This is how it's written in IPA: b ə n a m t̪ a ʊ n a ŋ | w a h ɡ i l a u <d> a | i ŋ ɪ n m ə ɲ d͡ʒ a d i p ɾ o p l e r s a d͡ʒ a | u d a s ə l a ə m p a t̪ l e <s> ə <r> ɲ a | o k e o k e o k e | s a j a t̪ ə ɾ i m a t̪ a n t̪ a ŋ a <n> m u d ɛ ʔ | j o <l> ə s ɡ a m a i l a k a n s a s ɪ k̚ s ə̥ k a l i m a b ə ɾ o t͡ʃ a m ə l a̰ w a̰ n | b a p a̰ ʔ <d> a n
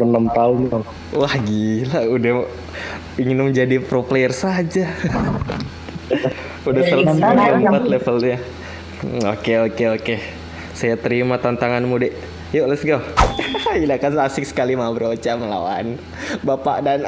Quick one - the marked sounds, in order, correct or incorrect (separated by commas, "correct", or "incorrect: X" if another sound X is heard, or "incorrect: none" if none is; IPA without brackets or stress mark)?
correct, incorrect: f, incorrect: l, correct, correct, correct